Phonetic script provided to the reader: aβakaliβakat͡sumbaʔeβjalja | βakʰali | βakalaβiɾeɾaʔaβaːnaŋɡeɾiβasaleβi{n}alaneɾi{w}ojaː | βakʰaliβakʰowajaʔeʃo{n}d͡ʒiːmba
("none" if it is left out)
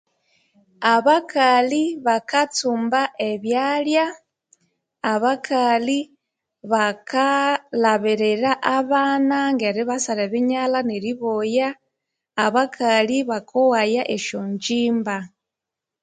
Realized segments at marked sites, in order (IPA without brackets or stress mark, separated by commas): ɲ, β, ɲ